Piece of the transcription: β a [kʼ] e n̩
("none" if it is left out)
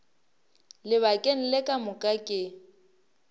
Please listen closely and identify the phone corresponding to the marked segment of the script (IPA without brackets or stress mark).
kʼ